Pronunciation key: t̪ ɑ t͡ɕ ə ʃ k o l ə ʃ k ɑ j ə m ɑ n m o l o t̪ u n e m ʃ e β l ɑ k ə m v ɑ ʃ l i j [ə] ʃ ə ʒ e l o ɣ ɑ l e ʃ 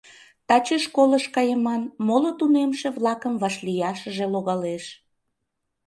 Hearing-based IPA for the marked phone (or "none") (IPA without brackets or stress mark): ɑ